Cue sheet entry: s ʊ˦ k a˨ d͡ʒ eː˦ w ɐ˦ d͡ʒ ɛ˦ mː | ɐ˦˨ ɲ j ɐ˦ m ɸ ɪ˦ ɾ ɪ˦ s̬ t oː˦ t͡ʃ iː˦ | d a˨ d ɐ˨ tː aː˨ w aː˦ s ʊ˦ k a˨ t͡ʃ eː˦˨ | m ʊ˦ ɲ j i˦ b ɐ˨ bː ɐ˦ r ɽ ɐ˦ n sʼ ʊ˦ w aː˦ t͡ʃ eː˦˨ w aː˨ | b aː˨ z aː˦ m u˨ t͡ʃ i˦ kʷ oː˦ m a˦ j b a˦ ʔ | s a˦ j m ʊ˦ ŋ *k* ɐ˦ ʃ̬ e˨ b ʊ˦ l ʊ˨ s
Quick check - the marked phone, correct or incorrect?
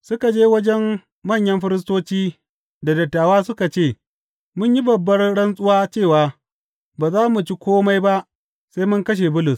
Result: correct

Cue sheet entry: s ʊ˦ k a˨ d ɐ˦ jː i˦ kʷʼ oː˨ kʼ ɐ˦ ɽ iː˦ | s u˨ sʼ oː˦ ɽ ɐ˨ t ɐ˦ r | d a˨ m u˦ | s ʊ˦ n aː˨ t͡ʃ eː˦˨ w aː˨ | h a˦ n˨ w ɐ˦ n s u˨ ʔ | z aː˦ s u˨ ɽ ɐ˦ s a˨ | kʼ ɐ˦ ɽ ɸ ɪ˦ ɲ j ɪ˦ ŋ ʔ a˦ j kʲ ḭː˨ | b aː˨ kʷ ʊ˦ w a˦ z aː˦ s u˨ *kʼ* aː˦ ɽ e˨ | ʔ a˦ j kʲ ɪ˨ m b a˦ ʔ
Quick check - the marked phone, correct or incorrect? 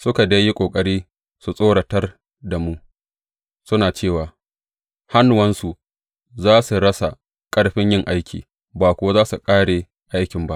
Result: correct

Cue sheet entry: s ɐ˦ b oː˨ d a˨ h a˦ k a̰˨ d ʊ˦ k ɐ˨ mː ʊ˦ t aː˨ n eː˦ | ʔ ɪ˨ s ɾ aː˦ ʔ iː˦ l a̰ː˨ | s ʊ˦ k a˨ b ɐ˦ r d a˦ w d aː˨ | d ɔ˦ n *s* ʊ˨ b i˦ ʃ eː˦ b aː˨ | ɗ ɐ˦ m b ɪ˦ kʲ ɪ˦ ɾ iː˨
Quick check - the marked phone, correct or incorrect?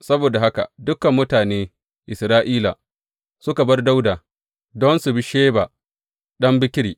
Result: correct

